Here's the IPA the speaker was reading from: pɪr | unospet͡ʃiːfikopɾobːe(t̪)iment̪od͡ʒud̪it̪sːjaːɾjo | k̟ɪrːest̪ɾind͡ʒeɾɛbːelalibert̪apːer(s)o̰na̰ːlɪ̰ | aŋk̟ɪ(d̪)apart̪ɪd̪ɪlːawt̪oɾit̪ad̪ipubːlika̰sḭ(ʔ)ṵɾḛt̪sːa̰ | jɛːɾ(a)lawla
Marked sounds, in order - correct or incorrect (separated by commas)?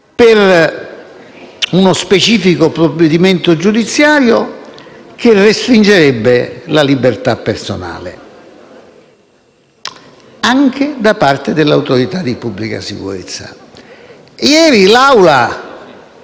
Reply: incorrect, correct, correct, incorrect, incorrect